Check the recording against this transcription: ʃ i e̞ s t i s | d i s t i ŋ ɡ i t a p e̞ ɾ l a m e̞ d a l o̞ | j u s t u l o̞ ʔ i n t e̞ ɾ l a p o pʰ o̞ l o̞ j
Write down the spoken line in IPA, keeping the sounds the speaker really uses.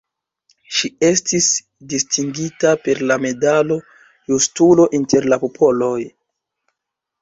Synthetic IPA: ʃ i e̞ s t i s | d i s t i ŋ ɡ i t a p e̞ ɾ l a m e̞ d a l o̞ | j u s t u l o̞ ʔ i n t e̞ ɾ l a p o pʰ o̞ l o̞ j